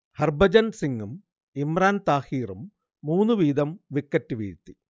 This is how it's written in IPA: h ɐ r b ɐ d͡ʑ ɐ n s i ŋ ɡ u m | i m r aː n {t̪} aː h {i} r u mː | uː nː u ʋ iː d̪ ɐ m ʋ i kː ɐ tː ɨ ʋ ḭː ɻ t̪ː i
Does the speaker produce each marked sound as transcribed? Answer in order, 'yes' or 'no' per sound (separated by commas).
yes, no